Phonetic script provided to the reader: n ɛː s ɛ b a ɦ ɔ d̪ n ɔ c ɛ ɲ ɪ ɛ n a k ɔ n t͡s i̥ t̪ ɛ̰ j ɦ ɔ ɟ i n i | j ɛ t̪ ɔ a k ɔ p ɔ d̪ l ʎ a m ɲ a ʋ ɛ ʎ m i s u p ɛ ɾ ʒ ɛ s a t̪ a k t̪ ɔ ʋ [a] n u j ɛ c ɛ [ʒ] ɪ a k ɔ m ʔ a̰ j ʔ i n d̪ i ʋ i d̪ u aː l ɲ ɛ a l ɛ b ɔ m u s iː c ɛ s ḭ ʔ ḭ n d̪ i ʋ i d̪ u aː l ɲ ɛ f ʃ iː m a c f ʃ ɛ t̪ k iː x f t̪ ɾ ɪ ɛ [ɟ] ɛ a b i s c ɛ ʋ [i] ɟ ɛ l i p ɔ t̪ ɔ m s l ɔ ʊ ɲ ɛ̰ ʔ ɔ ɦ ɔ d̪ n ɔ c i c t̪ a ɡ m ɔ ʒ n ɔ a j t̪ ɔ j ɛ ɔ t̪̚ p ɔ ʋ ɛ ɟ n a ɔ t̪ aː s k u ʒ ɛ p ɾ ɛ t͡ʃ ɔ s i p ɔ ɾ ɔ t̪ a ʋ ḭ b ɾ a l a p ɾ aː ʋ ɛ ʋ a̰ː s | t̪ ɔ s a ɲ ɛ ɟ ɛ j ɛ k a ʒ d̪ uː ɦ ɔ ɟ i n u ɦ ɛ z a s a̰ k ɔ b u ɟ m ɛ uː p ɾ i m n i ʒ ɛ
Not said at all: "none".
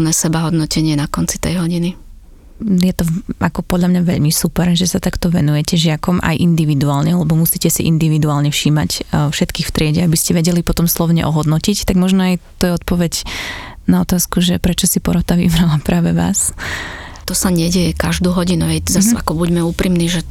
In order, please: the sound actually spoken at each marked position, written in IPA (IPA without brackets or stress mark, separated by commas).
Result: ɛ, ʒ, ɟ, ɛ